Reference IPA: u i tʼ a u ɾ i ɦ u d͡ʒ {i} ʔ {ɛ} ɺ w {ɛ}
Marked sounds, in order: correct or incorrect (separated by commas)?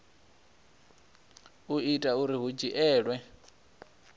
correct, incorrect, correct